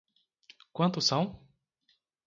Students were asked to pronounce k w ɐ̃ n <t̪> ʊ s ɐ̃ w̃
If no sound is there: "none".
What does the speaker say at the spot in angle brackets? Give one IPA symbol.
t̪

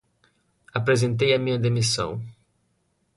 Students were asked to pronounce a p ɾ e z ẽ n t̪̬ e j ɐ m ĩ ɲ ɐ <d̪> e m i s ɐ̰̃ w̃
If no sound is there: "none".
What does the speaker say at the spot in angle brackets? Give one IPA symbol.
d̪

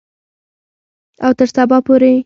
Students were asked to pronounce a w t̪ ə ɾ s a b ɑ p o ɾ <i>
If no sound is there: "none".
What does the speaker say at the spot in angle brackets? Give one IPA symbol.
e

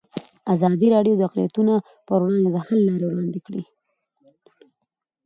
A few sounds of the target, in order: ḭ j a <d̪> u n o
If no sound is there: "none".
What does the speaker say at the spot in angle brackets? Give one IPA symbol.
t̪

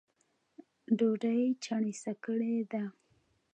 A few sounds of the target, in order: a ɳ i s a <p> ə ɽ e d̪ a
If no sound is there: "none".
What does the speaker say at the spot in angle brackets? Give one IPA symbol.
k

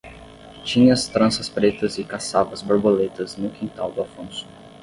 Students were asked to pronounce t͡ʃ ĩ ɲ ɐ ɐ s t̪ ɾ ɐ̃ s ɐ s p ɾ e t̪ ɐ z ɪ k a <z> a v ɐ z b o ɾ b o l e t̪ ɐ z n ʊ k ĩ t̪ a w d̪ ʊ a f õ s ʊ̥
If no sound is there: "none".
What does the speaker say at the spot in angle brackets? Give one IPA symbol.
s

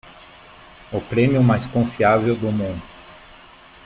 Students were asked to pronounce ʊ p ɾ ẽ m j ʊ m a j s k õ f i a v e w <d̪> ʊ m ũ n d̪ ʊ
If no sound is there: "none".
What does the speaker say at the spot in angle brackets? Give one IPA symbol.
d̪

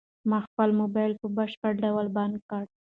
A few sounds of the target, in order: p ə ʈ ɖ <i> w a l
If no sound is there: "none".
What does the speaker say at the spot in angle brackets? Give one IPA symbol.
a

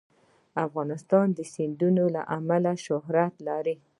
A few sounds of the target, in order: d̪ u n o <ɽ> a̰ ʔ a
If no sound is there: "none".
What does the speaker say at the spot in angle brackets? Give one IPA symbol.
l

